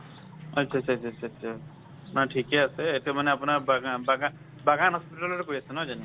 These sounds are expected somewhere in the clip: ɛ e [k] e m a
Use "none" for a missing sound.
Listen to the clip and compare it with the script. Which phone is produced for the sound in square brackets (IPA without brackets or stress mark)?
t